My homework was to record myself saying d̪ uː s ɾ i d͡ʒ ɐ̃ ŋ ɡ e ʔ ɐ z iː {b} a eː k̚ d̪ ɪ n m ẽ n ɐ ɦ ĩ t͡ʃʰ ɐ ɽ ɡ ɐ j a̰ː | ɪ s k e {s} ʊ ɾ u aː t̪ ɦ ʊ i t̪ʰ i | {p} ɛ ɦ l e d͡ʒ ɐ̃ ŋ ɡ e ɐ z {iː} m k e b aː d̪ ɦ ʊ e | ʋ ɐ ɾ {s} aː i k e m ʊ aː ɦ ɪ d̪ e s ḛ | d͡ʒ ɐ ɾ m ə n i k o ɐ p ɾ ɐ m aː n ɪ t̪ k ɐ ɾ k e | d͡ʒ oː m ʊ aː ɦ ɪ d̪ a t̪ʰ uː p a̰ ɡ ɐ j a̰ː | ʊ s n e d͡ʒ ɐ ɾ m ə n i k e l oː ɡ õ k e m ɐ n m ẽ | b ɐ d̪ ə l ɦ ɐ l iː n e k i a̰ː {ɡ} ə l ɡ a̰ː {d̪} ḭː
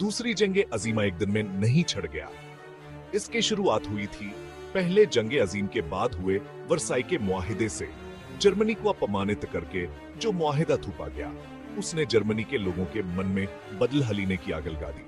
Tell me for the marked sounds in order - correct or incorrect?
incorrect: m, incorrect: ʃ, correct, correct, correct, correct, correct

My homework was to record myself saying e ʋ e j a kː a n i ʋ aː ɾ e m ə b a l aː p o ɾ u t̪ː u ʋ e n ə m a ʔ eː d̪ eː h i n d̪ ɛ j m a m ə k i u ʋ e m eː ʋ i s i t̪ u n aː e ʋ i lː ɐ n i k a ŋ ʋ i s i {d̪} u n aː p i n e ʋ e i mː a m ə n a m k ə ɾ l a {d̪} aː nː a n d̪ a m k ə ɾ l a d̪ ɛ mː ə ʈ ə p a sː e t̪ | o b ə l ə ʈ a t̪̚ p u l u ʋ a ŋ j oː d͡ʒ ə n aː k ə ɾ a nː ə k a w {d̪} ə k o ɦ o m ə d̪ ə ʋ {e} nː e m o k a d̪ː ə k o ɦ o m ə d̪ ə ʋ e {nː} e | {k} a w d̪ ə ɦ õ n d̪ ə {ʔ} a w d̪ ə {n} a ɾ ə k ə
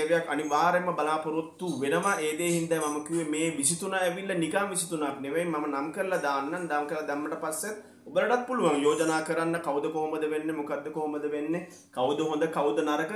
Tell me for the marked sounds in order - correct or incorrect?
incorrect: t̪, correct, correct, correct, correct, correct, incorrect: k, correct

